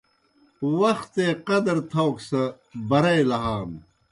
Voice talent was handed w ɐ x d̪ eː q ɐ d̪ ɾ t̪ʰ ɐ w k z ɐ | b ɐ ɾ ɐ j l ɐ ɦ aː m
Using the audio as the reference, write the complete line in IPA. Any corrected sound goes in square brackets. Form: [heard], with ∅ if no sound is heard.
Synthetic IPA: w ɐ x [t̪] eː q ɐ d̪ ɾ t̪ʰ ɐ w k [s] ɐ | b ɐ ɾ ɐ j l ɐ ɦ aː m